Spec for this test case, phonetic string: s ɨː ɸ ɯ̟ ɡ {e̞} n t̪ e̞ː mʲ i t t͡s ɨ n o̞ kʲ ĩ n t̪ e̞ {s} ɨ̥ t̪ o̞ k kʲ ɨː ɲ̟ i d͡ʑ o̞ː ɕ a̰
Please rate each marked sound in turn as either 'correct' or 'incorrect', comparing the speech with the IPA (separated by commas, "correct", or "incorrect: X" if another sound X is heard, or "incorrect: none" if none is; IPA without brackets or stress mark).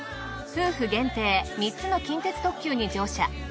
incorrect: ẽ̞, incorrect: t͡s